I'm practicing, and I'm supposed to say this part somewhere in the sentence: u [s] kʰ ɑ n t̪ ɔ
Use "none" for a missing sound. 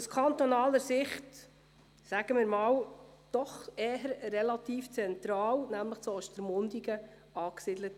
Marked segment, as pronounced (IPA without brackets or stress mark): s